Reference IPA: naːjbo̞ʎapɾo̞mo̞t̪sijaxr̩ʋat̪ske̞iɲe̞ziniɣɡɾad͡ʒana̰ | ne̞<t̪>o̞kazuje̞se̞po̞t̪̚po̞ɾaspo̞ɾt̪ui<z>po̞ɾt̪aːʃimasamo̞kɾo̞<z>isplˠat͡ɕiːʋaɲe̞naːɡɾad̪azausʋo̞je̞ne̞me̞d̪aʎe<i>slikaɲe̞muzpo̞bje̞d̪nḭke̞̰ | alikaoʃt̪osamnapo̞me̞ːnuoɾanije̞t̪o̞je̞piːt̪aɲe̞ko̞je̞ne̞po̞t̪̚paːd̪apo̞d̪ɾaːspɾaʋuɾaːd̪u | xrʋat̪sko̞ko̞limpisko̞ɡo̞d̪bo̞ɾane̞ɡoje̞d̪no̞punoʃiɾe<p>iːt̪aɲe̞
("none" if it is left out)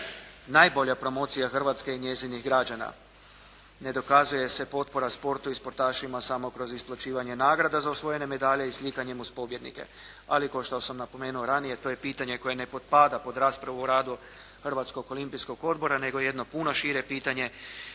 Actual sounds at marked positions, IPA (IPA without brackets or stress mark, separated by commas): d̪, s, z, i, p